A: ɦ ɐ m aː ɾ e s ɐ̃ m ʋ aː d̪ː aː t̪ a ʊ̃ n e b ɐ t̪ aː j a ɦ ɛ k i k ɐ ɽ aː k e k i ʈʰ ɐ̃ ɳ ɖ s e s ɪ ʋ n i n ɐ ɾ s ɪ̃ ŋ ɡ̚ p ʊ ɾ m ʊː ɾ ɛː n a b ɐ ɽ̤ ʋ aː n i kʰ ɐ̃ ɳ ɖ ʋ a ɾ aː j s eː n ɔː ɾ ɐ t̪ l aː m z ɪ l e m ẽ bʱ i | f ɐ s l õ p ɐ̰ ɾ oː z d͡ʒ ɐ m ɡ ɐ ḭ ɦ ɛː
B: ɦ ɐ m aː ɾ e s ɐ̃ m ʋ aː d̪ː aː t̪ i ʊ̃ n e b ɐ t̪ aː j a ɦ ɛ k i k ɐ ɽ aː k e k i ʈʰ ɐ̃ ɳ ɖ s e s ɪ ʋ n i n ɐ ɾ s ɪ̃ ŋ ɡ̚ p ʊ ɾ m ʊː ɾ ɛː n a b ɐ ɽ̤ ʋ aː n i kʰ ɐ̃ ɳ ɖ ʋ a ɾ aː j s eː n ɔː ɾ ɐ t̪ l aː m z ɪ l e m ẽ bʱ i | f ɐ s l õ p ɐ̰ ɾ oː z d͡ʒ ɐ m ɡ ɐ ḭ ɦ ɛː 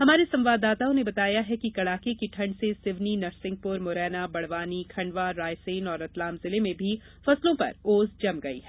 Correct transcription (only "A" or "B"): A